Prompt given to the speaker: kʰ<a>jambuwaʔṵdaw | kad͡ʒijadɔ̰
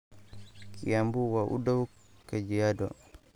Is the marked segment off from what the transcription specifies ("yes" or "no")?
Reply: yes